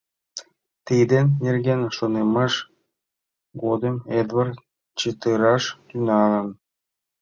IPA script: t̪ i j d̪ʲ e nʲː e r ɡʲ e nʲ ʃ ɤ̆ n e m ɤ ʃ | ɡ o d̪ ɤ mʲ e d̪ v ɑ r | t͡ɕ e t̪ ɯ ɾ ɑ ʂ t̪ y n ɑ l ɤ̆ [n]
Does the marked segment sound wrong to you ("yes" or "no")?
no